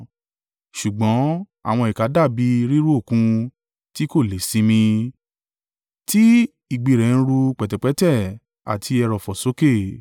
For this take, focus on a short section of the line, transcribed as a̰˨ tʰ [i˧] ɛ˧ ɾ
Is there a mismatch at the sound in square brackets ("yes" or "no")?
no